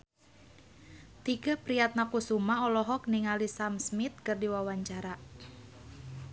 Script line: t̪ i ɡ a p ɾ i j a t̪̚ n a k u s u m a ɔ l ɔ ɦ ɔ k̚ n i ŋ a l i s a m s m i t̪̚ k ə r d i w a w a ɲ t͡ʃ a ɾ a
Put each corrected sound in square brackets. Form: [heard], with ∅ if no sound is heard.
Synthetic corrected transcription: t̪ i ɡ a p ɾ i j a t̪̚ n a k u s u m a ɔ l ɔ ɦ ɔ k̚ n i ŋ a l i s a m s m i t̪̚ k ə r d i w a w a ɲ t͡ʃ a ɾ a

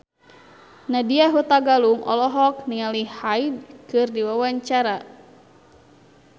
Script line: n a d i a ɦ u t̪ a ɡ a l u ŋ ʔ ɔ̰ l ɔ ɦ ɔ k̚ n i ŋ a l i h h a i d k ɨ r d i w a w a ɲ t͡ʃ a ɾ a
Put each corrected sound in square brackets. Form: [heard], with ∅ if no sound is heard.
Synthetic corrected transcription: n a d i a ɦ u t̪ a ɡ a l u ŋ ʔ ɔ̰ l ɔ ɦ ɔ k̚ n i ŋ a l i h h a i d k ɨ r d i w a w a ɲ t͡ʃ a ɾ a

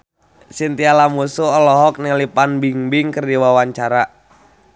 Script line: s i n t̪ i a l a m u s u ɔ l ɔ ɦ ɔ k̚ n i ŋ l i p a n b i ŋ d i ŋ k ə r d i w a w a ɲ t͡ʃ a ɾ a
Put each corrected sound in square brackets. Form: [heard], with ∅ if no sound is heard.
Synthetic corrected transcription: s i n t̪ i a l a m u s u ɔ l ɔ ɦ ɔ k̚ n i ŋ l i p a n b i ŋ [b] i ŋ k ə r d i w a w a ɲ t͡ʃ a ɾ a

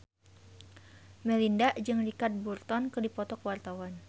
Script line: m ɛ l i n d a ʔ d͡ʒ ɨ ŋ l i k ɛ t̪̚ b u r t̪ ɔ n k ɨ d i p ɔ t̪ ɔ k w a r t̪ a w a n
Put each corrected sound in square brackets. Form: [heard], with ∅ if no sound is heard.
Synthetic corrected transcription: m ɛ l i n d a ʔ d͡ʒ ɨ ŋ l i k [a] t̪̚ b u r t̪ ɔ n k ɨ d i p ɔ t̪ ɔ k w a r t̪ a w a n

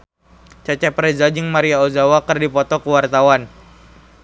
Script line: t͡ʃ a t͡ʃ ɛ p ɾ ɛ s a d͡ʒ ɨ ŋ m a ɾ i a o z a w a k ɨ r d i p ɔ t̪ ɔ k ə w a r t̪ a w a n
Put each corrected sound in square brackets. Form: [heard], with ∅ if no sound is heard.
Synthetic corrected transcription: t͡ʃ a t͡ʃ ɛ p ɾ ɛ [z] a d͡ʒ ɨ ŋ m a ɾ i a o z a w a k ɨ r d i p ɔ t̪ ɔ k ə w a r t̪ a w a n

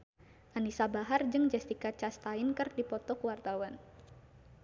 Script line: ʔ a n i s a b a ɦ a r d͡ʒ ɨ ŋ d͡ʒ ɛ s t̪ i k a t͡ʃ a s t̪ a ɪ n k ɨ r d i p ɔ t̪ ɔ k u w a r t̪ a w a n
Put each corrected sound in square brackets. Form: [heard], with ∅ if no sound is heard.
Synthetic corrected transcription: ʔ a n i s a b a ɦ a r d͡ʒ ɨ ŋ d͡ʒ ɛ s t̪ i k a t͡ʃ a s t̪ a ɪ n k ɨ r d i p ɔ t̪ ɔ k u w a r t̪ a w a n

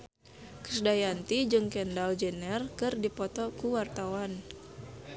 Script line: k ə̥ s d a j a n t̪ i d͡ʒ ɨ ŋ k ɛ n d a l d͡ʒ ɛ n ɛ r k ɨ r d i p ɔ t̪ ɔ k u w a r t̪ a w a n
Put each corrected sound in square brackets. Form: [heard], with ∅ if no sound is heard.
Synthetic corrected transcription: k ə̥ s d a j a n t̪ i d͡ʒ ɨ ŋ k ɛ n d a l d͡ʒ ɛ n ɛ r k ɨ r d i p ɔ t̪ ɔ k u w a r t̪ a w a n

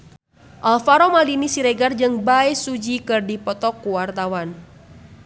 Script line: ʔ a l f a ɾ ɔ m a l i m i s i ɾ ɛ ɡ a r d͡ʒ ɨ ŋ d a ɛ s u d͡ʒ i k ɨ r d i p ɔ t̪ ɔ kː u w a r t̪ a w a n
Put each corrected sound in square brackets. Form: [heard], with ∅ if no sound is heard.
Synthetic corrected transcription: ʔ a l f a ɾ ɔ m a l i [n] i s i ɾ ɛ ɡ a r d͡ʒ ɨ ŋ [b] a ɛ s u d͡ʒ i k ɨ r d i p ɔ t̪ ɔ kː u w a r t̪ a w a n

